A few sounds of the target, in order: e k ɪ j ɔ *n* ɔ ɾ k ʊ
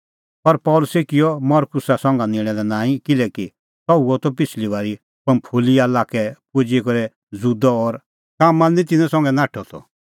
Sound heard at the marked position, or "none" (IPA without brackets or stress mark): m